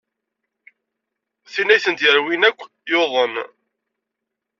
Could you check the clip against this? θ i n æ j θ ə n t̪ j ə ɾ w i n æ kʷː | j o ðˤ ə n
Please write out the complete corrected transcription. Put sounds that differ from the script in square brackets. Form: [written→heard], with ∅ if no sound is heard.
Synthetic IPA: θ i n æ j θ ə n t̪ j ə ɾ w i n æ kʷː | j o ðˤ ə n